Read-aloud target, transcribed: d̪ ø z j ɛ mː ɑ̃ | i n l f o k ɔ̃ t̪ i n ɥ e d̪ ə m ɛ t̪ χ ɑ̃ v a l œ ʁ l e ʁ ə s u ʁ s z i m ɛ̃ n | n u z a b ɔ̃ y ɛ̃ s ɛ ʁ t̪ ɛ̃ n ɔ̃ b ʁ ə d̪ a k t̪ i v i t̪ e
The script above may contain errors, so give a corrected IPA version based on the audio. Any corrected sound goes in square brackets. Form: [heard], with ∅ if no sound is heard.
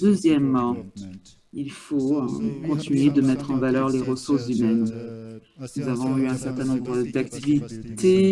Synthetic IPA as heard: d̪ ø z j ɛ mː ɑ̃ | i [∅] l f o k ɔ̃ t̪ i n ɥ e d̪ ə m ɛ t̪ χ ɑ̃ v a l œ ʁ l e ʁ ə s u ʁ s z [y] m [ɛ] n | n u z a [v] ɔ̃ y ɛ̃ s ɛ ʁ t̪ ɛ̃ n ɔ̃ b ʁ ə d̪ a k t̪ i v i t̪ e